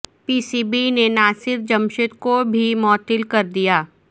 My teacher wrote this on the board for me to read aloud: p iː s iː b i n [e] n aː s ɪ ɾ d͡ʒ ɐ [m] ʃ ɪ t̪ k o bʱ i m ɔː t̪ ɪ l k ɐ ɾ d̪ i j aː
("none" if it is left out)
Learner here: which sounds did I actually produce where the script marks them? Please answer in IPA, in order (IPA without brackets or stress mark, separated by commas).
e, m